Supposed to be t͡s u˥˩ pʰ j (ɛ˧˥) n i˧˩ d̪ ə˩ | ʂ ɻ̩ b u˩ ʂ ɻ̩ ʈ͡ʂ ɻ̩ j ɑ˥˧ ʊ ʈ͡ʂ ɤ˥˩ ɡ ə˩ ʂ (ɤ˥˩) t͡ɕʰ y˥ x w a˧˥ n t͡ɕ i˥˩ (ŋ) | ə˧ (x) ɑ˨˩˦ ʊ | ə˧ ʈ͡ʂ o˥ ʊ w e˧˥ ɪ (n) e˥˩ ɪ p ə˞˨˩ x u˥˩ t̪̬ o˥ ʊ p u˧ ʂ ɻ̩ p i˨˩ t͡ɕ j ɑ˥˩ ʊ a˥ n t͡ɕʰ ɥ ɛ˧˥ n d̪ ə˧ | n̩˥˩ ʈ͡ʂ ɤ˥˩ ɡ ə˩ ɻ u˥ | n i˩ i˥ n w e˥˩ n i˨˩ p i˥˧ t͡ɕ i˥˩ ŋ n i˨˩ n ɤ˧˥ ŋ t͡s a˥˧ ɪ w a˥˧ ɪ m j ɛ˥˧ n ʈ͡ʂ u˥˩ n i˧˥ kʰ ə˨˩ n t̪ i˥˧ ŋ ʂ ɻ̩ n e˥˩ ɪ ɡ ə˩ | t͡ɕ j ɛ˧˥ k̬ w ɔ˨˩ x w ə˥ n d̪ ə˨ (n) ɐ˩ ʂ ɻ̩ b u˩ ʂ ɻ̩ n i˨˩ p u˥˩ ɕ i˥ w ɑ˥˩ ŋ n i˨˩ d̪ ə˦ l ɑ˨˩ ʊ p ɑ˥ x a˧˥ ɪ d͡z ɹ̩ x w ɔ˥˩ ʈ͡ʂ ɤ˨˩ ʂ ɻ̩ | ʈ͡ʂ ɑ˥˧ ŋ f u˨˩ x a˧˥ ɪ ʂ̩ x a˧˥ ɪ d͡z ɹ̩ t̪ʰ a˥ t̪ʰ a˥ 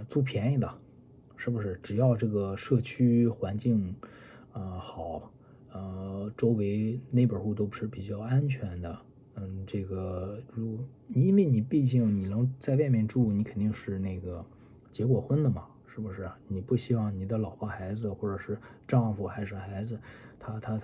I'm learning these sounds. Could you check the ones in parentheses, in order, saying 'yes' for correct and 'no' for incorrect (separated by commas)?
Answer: yes, yes, yes, yes, yes, no